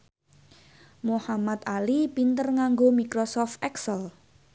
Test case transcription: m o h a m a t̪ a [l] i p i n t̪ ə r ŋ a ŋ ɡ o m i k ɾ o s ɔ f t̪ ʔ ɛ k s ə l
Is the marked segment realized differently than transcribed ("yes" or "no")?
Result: no